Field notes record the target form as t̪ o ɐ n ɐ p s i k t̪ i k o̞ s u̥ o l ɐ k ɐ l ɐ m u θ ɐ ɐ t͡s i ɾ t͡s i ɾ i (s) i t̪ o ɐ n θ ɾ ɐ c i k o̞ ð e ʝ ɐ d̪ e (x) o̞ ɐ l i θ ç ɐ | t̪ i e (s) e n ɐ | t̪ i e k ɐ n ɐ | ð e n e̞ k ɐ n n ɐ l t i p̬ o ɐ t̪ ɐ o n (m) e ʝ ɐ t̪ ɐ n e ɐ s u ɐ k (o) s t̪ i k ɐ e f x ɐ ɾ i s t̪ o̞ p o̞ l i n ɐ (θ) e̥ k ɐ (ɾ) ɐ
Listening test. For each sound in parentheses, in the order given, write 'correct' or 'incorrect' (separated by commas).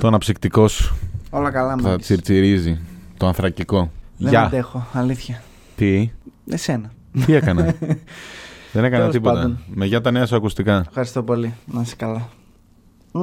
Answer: incorrect, correct, correct, correct, incorrect, incorrect, incorrect